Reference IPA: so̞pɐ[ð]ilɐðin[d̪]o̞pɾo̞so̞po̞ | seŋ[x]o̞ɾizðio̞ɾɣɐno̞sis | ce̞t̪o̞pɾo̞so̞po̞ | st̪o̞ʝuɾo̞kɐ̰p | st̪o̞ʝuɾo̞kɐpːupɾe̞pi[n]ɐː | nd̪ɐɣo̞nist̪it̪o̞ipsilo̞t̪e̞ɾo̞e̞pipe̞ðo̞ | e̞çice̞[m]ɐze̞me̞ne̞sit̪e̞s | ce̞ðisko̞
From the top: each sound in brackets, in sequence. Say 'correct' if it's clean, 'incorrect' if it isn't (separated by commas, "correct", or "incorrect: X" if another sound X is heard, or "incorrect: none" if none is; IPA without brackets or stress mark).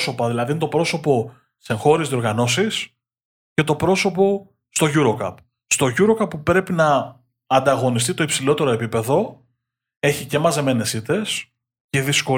correct, incorrect: t̪, correct, correct, correct